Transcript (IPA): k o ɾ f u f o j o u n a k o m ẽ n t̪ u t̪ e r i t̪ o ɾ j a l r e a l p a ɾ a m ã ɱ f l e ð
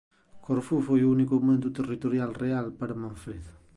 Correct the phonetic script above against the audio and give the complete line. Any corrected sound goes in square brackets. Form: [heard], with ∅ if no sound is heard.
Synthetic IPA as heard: k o ɾ f u f o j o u n [i] k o m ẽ n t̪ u t̪ e r i t̪ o ɾ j a l r e a l p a ɾ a m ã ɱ f [ɾ] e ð